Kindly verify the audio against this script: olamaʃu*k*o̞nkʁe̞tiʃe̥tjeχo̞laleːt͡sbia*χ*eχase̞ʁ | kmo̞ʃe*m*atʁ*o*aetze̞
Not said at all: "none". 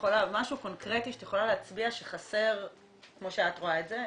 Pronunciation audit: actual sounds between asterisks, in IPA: k, ʃ, none, o

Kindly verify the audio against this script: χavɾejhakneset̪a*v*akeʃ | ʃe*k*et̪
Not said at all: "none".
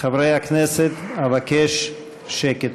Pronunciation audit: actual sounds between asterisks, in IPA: v, k

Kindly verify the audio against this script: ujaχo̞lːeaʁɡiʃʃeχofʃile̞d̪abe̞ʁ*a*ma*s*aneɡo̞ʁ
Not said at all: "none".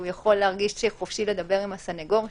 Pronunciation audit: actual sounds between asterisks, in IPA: i, s

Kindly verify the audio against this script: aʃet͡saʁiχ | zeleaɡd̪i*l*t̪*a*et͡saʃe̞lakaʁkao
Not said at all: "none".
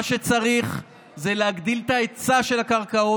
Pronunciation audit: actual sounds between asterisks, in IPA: l, a

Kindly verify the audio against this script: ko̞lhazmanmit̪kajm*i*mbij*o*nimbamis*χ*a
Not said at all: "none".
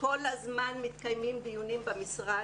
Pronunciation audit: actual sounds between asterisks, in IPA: i, u, ʁ

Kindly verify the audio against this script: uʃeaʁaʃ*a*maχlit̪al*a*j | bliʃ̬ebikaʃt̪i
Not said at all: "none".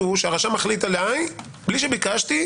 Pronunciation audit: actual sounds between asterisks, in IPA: a, a

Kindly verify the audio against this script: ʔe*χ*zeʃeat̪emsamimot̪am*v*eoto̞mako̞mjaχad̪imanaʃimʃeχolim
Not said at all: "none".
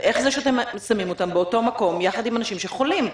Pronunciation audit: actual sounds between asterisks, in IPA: χ, b

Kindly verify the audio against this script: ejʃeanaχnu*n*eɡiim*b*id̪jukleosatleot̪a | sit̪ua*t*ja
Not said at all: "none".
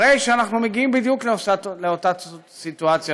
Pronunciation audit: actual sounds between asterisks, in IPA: m, b, t͡s

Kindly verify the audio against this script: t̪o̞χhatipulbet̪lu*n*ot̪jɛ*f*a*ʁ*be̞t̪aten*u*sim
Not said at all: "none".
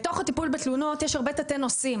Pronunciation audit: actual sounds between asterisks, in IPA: n, ʃ, ʁ, o

